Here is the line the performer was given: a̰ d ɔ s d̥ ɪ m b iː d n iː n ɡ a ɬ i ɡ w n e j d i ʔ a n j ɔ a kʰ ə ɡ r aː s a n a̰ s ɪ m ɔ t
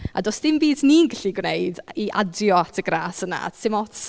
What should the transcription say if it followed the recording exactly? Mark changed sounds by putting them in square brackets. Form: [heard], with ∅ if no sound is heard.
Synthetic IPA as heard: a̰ d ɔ s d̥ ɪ m b iː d n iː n ɡ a ɬ i ɡ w n e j d i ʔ a [d] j ɔ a [tʰ] ə ɡ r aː s [ə] n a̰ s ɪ m ɔ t